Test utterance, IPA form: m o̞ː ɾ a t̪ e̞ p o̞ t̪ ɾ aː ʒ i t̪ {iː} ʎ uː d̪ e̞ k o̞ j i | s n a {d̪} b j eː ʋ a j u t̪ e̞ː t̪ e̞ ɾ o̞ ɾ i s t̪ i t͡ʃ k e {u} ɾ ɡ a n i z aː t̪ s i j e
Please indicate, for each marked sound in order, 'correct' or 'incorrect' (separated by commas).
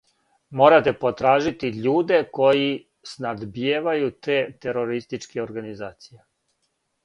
incorrect, correct, incorrect